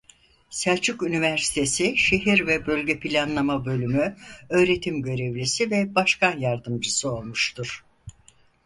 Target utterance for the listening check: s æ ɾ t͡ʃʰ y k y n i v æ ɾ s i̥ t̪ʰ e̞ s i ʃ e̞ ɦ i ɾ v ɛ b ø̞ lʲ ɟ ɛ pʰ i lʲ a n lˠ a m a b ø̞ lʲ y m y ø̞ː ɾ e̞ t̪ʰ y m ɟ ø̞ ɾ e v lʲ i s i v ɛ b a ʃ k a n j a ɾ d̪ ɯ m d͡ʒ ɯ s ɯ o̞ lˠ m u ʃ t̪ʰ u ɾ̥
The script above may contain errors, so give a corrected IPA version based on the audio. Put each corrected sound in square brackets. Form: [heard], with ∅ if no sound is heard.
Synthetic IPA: s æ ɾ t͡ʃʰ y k y n i v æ ɾ s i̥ t̪ʰ e̞ s i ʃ e̞ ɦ i ɾ v ɛ b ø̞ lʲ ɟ ɛ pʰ i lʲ a n lˠ a m a b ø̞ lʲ y m y ø̞ː ɾ e̞ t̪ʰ [i] m ɟ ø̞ ɾ e v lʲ i s i v ɛ b a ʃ k a n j a ɾ d̪ ɯ m d͡ʒ ɯ s ɯ o̞ lˠ m u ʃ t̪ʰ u ɾ̥